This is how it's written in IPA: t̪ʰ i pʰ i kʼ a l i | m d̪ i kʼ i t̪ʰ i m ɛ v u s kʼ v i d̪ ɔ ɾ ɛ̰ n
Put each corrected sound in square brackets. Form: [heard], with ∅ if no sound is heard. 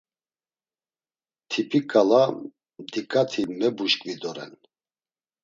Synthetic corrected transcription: t̪ʰ i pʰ i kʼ a l [a] | m d̪ i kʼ [a] t̪ʰ i m ɛ [b] u [ʃ] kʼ v i d̪ ɔ ɾ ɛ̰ n